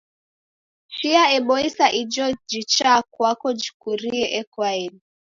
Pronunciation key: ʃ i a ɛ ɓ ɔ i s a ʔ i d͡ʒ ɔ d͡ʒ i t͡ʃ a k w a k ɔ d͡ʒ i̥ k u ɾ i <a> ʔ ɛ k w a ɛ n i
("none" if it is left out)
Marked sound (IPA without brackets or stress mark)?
ɛ